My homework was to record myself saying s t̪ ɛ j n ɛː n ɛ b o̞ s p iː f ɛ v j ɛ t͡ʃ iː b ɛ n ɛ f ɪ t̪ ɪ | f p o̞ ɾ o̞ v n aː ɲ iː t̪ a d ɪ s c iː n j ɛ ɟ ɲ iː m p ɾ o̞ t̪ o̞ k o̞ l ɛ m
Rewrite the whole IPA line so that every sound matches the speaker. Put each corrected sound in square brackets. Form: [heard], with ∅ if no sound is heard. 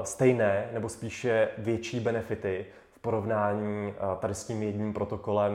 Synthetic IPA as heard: s t̪ ɛ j n ɛː n ɛ b o̞ s p iː [ʃ] ɛ v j ɛ t͡ʃ iː b ɛ n ɛ f ɪ t̪ ɪ | f p o̞ ɾ o̞ v n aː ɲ iː t̪ a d ɪ s c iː [m] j ɛ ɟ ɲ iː m p ɾ o̞ t̪ o̞ k o̞ l ɛ m